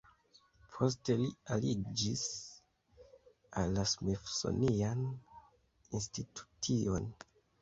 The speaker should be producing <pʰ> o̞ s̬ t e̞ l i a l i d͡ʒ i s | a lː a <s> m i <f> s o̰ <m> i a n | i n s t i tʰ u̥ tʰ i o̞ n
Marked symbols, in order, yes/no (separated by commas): yes, yes, yes, no